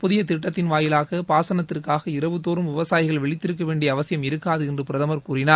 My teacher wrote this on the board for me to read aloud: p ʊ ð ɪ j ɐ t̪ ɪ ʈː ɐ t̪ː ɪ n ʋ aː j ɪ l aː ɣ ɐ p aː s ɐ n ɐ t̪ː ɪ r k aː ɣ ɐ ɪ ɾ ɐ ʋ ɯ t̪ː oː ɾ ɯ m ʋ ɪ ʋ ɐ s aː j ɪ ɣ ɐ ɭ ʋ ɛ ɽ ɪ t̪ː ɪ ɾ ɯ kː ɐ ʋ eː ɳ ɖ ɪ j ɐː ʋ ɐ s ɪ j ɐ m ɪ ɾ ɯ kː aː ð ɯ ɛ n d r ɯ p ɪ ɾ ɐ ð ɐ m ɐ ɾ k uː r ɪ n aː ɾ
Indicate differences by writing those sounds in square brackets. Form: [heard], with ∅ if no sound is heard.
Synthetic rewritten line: p ʊ ð ɪ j ɐ t̪ ɪ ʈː ɐ t̪ː ɪ n ʋ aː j ɪ l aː ɣ ɐ p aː s ɐ n ɐ t̪ː ɪ r k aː ɣ ɐ ɪ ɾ ɐ ʋ ɯ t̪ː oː ɾ ɯ m ʋ ɪ ʋ ɐ s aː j ɪ ɣ ɐ ɭ ʋ ɛ [ɭ] ɪ t̪ː ɪ ɾ ɯ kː ɐ ʋ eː ɳ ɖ ɪ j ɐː ʋ ɐ s ɪ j ɐ m ɪ ɾ ɯ kː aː ð ɯ ɛ n d r ɯ p ɪ ɾ ɐ ð ɐ m ɐ ɾ k uː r ɪ n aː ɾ